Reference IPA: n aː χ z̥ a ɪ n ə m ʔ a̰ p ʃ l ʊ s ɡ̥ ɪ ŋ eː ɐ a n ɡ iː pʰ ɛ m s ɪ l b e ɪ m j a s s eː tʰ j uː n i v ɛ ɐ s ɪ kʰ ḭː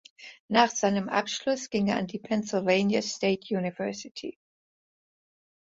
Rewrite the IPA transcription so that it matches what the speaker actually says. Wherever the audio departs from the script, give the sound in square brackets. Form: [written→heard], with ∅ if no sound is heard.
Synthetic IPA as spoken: n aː χ z̥ a ɪ n ə m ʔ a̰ p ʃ l ʊ s ɡ̥ ɪ ŋ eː ɐ a n [ɡ→d] iː pʰ ɛ [m→n] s ɪ l [b→v] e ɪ [m→n] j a s [s→t] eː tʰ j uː n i v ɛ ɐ s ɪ [kʰ→tʰ] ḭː